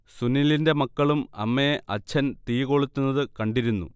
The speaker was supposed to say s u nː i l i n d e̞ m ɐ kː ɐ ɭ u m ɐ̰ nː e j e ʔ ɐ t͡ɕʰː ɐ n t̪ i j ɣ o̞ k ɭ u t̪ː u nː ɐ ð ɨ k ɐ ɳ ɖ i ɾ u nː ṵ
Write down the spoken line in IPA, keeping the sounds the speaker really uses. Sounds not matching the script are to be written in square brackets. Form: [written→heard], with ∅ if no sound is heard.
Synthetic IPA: s u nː i l i n d e̞ m ɐ kː ɐ ɭ u m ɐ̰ [nː→mː] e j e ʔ ɐ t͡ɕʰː ɐ n t̪ i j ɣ o̞ [k→∅] ɭ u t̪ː u nː ɐ ð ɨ k ɐ ɳ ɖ i ɾ u nː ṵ